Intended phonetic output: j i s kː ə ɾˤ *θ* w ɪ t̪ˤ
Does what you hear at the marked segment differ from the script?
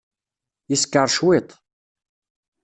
yes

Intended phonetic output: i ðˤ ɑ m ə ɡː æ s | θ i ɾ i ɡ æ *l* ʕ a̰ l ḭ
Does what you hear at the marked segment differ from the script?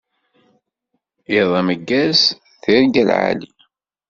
no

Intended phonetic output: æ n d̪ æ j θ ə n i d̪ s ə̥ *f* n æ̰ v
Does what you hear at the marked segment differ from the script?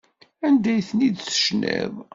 yes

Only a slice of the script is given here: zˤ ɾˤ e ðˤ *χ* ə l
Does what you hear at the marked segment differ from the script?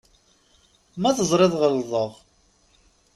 yes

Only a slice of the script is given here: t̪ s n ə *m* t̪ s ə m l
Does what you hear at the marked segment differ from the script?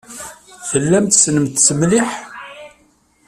no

